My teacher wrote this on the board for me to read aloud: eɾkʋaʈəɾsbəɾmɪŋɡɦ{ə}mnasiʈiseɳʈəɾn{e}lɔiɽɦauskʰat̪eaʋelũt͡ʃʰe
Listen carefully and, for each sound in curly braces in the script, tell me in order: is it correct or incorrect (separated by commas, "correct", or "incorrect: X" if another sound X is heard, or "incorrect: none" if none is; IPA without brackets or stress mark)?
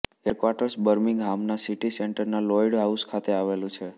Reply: incorrect: a, incorrect: a